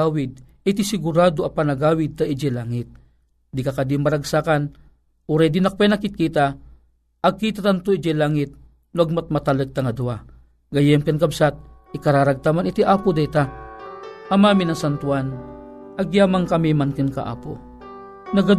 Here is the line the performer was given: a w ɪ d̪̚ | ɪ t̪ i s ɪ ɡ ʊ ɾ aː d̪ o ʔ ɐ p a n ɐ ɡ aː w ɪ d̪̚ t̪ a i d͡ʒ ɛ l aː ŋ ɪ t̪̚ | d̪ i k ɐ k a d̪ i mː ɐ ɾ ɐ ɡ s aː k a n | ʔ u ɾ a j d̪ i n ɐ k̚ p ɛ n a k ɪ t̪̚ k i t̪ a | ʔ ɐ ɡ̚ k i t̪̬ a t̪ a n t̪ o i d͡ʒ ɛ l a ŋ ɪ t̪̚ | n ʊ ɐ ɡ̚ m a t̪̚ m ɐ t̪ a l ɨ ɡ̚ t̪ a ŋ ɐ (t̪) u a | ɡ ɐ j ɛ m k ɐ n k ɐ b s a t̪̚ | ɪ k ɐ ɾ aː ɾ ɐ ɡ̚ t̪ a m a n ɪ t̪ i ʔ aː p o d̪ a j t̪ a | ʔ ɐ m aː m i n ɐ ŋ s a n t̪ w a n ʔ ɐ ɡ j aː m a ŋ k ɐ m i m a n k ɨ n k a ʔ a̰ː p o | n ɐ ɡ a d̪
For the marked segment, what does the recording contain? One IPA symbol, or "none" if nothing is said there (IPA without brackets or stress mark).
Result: d̪